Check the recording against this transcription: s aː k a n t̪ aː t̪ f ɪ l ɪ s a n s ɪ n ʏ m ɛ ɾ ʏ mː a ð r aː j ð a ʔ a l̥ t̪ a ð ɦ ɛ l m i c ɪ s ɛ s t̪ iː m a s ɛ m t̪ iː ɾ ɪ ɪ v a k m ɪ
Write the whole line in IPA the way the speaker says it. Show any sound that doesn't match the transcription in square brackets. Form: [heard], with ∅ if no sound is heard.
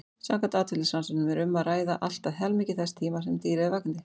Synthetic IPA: s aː k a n t̪ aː t̪ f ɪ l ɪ s a n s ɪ n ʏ m ɛ ɾ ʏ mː a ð r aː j ð a ʔ a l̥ t̪ a ð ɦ ɛ l m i c ɪ [θ] ɛ s [t̪ʰ] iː m a s ɛ m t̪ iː ɾ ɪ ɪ v a k [n] ɪ